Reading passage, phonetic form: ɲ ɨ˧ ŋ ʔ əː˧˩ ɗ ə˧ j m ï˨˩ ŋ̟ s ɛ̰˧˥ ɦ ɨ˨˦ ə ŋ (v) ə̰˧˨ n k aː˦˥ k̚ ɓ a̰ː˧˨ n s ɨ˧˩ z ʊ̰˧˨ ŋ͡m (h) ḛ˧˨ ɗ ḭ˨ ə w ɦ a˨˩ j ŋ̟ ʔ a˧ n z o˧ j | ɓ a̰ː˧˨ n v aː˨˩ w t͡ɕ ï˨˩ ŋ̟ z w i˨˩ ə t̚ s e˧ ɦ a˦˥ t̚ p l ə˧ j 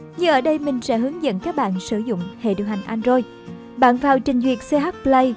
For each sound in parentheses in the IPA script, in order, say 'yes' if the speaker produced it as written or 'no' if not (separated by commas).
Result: no, yes